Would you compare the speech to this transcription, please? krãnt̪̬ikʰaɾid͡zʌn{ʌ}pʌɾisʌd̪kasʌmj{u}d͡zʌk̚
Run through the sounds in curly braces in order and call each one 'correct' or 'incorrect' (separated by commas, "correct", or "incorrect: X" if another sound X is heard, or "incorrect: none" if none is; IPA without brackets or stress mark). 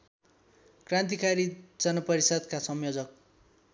correct, incorrect: o